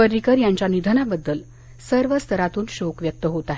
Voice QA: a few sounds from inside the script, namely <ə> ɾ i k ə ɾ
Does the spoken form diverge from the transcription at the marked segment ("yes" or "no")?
no